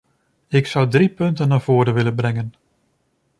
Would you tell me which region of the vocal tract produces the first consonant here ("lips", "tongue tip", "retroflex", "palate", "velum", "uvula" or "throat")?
velum